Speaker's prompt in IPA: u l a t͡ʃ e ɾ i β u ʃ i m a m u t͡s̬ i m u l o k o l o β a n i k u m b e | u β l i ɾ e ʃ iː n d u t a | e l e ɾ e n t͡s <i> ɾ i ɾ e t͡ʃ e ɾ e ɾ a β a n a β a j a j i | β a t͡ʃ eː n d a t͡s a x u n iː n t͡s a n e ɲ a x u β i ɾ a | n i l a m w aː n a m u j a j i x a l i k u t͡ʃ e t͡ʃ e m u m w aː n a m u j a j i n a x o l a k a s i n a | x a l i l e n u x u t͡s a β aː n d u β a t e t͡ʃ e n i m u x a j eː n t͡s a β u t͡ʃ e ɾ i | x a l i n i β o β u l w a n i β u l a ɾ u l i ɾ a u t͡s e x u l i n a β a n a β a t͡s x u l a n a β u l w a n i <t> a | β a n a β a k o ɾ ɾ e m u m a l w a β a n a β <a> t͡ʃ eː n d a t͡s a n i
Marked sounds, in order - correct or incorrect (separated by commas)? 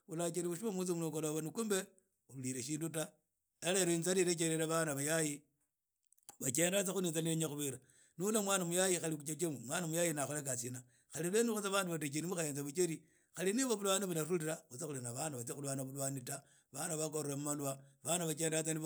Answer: incorrect, correct, correct